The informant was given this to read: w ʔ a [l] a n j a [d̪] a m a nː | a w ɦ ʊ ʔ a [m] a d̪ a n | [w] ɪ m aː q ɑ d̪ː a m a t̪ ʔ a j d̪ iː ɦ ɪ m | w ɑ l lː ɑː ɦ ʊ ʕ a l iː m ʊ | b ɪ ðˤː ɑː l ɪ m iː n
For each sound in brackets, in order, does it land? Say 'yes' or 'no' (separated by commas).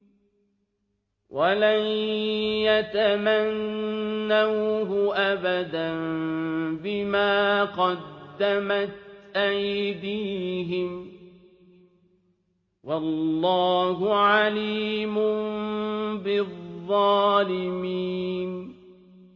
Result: yes, no, no, no